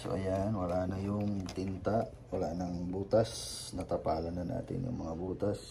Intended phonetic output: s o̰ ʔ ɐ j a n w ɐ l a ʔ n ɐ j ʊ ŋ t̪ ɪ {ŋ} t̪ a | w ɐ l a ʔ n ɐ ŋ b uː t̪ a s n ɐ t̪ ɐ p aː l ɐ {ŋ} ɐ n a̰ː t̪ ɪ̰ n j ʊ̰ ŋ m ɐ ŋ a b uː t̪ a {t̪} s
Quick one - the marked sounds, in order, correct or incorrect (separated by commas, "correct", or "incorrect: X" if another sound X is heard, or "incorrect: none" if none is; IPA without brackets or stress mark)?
incorrect: n, incorrect: n, incorrect: none